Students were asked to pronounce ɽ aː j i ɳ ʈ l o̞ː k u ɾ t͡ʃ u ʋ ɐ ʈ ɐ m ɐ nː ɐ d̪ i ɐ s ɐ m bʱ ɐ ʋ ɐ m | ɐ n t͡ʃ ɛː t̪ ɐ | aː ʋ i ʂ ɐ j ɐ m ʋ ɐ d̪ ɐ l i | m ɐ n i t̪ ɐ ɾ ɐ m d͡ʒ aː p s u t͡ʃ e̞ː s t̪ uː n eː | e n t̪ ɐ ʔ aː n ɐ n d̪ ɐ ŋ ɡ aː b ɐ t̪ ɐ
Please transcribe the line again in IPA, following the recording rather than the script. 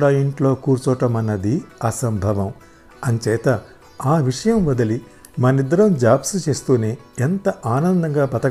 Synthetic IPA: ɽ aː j i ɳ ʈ l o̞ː k uː ɾ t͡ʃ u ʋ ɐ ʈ ɐ m ɐ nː ɐ d̪ i ɐ s ɐ m bʱ ɐ ʋ ɐ m | ɐ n t͡ʃ ɛː t̪ ɐ | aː ʋ i ʂ ɐ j ɐ m ʋ ɐ d̪ ɐ l i | m ɐ n i d̪ ɐ ɾ ɐ m d͡ʒ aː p s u t͡ʃ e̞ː s t̪ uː n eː | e n t̪ ɐ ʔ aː n ɐ n d̪ ɐ ŋ ɡ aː b ɐ t̪ ɐ